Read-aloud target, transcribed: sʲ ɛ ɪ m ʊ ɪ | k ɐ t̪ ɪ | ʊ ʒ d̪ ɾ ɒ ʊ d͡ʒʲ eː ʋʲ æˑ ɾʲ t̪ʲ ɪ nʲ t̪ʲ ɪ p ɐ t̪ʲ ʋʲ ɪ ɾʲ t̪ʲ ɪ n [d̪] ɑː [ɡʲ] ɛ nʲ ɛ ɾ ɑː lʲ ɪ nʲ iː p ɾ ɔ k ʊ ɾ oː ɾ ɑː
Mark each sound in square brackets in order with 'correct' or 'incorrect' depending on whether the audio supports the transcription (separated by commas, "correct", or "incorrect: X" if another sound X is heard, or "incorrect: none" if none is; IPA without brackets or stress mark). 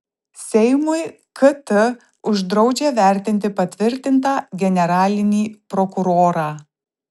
incorrect: t̪, correct